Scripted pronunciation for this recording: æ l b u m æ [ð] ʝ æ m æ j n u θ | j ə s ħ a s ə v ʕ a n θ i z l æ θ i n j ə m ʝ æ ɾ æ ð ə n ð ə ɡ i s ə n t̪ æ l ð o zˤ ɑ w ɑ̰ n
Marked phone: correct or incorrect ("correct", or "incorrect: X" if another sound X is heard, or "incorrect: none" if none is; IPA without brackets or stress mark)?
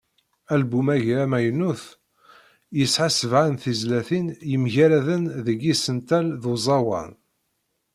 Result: incorrect: none